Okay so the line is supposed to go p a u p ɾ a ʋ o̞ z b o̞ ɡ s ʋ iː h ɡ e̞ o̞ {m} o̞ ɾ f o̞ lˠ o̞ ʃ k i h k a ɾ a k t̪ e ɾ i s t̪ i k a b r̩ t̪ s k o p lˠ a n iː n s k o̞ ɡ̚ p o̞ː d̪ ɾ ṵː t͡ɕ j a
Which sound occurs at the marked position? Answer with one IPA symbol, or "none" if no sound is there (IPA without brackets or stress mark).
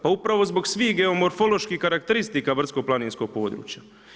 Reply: m